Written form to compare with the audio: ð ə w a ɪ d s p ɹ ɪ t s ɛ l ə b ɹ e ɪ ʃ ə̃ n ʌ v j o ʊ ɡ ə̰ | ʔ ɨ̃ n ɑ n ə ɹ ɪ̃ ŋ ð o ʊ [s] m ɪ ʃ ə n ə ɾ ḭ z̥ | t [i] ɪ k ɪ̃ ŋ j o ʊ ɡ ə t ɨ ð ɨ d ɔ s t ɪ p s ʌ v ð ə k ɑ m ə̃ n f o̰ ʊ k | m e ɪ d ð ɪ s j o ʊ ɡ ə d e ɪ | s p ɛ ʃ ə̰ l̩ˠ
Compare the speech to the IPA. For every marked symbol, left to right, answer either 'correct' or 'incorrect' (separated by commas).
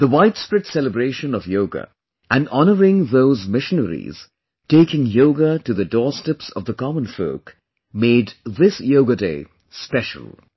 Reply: incorrect, incorrect